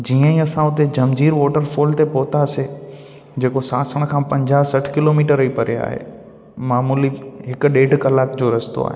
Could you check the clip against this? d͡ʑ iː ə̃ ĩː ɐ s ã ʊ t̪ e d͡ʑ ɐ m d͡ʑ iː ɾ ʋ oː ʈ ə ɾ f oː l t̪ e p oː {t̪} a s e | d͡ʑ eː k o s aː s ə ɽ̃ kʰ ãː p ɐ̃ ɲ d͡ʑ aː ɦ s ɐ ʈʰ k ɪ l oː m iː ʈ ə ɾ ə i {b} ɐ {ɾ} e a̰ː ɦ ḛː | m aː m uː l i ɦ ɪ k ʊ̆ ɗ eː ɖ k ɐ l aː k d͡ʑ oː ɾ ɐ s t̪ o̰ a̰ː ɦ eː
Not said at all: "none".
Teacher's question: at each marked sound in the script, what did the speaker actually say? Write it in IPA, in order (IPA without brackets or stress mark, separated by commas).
t̪, p, ɾ